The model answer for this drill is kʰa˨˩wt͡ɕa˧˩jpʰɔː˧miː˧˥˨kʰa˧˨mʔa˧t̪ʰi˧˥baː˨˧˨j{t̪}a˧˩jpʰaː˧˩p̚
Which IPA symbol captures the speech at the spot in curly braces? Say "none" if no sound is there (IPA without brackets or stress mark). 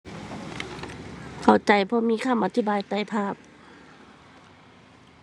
t̪